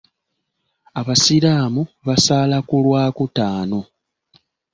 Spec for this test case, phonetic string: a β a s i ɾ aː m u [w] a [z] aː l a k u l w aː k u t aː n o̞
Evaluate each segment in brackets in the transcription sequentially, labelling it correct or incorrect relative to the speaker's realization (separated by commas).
incorrect, incorrect